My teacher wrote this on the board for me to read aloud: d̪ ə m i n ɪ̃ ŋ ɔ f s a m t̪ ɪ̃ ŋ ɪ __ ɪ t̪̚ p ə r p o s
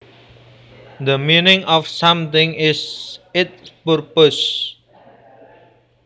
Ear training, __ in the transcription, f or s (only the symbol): s